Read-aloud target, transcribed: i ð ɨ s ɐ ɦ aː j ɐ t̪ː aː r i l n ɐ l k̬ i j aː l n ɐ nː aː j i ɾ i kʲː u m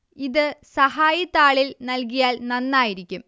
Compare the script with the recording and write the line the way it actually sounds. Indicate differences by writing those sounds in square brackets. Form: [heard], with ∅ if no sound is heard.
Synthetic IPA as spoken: i ð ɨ s ɐ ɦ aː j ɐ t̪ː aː [ɭ] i l n ɐ l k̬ i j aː l n ɐ nː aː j i ɾ i kʲː u m